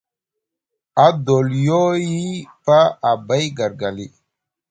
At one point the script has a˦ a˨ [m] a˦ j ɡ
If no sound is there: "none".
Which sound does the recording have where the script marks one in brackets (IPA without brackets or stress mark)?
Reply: b